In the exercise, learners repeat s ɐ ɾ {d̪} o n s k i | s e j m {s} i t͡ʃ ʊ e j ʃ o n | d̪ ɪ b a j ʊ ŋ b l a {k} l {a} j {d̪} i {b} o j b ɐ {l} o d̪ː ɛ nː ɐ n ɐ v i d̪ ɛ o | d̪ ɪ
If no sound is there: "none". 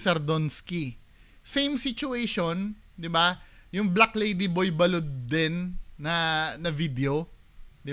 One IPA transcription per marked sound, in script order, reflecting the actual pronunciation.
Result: d̪, s, k, e, d̪, b, l

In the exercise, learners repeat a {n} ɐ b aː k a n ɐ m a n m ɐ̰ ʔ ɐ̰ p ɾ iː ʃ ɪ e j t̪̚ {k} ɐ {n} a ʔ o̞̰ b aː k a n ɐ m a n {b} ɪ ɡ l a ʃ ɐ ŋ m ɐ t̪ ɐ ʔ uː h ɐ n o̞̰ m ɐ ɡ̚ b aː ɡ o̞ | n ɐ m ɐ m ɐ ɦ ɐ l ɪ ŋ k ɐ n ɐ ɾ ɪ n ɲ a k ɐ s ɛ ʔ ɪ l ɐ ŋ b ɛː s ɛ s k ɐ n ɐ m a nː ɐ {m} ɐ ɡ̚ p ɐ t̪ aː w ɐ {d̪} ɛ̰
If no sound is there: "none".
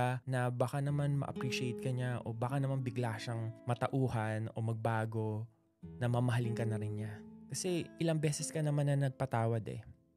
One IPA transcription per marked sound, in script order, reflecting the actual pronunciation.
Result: n, k, ɲ, b, n, d̪

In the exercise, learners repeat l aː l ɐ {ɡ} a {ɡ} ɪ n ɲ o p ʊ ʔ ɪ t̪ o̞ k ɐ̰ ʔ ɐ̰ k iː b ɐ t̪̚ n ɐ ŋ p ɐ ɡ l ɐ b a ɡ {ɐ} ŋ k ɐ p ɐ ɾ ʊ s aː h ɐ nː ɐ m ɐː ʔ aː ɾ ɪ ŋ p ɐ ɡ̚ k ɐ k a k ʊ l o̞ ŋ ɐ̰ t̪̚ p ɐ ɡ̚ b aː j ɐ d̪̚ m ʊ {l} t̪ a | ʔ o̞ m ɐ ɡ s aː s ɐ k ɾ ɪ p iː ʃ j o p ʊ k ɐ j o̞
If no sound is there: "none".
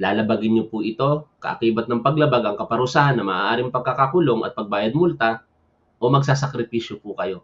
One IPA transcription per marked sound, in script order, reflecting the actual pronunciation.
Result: b, ɡ, ɐ, l

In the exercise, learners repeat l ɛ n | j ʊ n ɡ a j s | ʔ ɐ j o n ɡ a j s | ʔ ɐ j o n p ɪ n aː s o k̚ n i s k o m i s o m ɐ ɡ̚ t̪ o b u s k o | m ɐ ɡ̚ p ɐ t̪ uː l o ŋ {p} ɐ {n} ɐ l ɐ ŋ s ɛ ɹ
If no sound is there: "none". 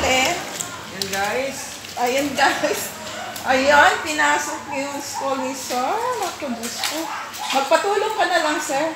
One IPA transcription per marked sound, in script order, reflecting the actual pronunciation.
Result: k, n

